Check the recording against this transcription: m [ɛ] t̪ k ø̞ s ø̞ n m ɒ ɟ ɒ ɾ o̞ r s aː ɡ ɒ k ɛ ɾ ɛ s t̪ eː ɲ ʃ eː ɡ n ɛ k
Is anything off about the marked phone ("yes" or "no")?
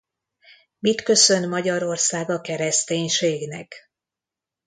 yes